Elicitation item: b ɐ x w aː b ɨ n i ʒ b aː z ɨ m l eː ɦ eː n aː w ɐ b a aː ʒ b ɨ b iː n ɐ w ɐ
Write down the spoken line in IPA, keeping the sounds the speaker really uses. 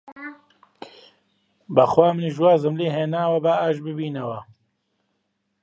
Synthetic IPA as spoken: b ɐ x w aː m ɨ n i ʒ w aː z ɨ m l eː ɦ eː n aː w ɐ b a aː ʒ b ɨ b iː n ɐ w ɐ